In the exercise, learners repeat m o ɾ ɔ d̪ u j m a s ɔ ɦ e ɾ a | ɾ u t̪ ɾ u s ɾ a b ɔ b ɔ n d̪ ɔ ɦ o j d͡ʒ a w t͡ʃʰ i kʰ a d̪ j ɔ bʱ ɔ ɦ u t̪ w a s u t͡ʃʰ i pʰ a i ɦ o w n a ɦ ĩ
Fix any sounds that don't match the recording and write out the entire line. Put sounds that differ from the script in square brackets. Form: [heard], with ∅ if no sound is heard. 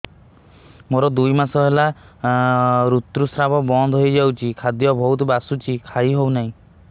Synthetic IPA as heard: m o ɾ ɔ d̪ u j m a s ɔ ɦ e [l] a | ɾ u t̪ ɾ u s ɾ a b ɔ b ɔ n d̪ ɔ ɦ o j d͡ʒ a w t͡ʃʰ i kʰ a d̪ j ɔ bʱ ɔ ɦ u t̪ [b] a s u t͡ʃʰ i [kʰ] a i ɦ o w n a ɦ ĩ